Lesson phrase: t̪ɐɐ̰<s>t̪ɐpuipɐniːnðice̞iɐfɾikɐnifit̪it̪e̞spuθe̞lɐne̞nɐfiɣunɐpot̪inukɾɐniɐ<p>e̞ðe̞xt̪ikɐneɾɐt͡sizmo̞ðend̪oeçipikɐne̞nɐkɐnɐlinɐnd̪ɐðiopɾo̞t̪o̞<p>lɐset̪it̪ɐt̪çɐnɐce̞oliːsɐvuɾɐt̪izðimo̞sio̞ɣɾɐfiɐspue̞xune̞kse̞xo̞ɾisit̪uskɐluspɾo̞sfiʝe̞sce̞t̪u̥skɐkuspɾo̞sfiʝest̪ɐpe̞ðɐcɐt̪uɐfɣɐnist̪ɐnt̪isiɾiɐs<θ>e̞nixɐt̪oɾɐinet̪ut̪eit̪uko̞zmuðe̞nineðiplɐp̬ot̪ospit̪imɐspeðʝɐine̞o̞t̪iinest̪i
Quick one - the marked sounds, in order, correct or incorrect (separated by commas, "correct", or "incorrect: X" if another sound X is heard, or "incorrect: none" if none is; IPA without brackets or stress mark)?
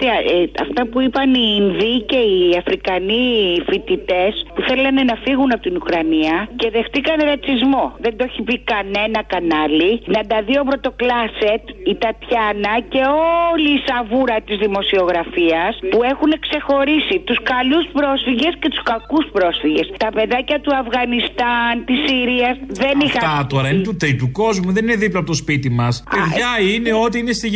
incorrect: f, incorrect: c, incorrect: k, incorrect: ð